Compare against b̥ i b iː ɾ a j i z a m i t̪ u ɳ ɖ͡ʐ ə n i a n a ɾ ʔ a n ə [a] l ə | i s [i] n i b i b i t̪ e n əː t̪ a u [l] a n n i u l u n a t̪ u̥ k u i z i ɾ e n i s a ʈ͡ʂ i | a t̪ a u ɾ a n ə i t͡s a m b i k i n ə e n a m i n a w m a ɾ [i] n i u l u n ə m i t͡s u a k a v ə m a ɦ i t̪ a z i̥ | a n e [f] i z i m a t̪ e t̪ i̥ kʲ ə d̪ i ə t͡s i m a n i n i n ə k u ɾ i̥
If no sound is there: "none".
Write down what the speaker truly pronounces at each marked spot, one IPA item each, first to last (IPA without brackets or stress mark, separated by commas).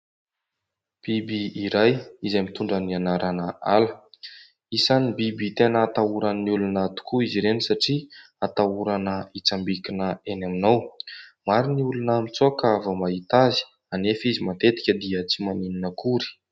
a, a, ɾ, i, f